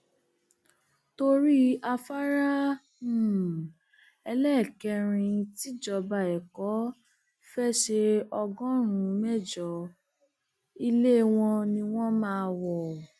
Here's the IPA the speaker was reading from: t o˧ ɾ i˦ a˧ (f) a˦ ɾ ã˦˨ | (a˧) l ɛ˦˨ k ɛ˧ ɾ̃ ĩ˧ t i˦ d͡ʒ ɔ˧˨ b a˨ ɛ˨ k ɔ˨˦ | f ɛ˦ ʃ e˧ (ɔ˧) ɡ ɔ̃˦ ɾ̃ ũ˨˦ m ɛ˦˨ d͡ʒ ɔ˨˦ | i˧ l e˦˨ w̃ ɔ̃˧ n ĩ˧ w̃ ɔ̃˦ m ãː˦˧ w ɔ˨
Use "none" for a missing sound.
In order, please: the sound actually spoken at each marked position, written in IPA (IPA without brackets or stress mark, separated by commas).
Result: f, ɛ˧, ɔ˧